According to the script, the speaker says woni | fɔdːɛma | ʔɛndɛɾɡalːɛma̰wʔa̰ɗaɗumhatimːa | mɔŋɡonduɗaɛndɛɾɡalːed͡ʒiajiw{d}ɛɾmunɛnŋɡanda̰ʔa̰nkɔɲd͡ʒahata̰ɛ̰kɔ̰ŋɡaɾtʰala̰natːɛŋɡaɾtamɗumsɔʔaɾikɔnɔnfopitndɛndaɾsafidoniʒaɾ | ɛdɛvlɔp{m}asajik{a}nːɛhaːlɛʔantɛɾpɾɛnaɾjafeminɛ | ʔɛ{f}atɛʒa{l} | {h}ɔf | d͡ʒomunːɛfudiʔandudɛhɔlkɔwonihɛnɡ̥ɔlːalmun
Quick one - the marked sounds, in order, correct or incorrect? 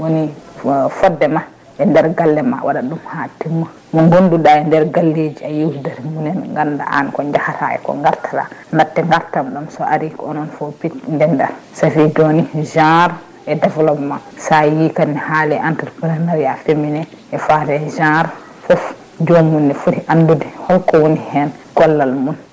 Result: correct, correct, correct, correct, incorrect, incorrect

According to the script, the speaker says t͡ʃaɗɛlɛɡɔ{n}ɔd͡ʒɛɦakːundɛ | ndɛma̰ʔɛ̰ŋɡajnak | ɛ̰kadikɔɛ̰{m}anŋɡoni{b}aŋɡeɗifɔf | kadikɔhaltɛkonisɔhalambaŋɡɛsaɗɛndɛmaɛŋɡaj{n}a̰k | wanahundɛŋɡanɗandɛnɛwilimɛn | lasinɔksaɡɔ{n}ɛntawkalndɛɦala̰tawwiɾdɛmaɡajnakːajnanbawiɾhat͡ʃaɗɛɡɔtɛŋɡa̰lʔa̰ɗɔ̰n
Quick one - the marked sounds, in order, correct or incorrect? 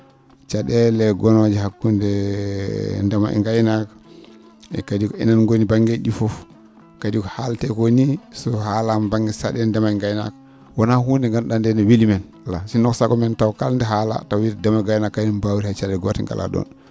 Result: correct, incorrect, correct, correct, incorrect

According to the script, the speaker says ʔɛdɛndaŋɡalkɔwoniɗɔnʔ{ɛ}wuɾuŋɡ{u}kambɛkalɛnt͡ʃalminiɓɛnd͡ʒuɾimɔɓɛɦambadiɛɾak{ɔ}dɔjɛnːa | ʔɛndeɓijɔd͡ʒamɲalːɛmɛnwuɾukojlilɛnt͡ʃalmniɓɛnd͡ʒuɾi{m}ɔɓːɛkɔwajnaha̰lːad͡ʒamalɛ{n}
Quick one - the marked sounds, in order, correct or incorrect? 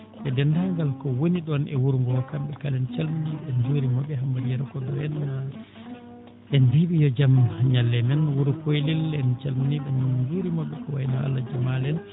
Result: correct, incorrect, correct, correct, correct

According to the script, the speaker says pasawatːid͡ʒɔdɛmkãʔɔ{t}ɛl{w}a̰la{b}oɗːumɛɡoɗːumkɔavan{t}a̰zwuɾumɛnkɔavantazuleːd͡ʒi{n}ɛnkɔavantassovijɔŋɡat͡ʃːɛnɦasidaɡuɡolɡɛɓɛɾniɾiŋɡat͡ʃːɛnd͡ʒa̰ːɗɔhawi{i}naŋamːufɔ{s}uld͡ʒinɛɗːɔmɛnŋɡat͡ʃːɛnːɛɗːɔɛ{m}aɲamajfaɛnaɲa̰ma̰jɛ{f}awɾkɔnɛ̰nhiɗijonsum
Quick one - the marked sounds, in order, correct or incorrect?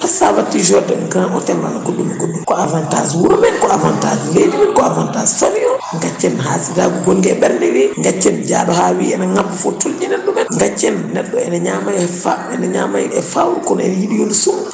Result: correct, correct, incorrect, correct, incorrect, incorrect, incorrect, incorrect, correct

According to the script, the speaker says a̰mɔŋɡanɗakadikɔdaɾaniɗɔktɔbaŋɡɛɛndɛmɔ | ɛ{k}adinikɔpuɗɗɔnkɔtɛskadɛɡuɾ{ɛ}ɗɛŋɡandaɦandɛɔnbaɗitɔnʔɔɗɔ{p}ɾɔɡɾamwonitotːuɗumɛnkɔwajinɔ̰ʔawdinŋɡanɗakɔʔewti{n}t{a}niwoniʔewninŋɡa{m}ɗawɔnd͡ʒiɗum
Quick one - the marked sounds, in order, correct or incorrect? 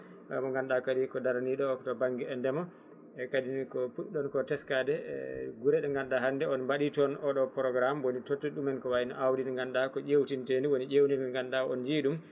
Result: correct, correct, correct, correct, incorrect, incorrect

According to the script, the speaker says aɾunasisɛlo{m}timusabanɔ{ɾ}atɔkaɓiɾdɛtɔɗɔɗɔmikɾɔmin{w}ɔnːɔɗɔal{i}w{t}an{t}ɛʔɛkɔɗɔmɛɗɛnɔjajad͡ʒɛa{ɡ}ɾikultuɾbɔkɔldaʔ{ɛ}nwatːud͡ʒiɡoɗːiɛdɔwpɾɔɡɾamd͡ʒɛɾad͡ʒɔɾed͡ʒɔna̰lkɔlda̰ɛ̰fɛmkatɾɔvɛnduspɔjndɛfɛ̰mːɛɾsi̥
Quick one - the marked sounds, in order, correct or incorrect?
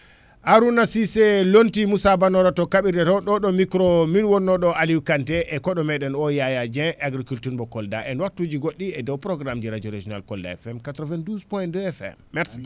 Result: incorrect, correct, correct, correct, incorrect, correct, correct, correct

